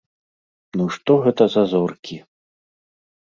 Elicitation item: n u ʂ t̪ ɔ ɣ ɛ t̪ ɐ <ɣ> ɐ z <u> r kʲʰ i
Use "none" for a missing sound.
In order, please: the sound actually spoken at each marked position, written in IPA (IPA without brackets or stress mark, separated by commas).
z, ɔ